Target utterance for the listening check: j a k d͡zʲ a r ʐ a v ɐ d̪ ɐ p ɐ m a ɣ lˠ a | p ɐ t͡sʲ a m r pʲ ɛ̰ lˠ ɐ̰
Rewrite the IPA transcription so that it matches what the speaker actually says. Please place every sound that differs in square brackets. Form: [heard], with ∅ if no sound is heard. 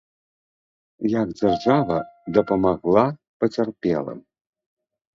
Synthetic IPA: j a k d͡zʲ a r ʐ a v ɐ d̪ ɐ p ɐ m a ɣ lˠ a | p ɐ t͡sʲ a [∅] r pʲ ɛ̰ lˠ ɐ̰